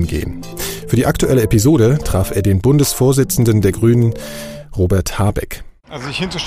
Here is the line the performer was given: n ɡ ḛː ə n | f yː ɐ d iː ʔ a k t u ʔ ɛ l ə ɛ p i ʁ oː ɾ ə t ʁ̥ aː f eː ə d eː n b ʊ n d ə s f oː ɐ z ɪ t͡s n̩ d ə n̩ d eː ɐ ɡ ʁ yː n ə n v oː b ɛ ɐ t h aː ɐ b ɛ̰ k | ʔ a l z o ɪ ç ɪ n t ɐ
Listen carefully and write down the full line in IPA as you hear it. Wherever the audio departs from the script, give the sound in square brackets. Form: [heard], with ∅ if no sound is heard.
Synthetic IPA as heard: n ɡ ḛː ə n | f yː ɐ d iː ʔ a k t u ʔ ɛ l ə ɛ p i [z] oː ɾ ə t ʁ̥ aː f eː [ɐ] d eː n b ʊ n d ə s f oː ɐ z ɪ t͡s n̩ d ə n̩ d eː ɐ ɡ ʁ yː n ə n [ʁ] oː b ɛ ɐ t h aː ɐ b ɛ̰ k | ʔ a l z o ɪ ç ɪ n t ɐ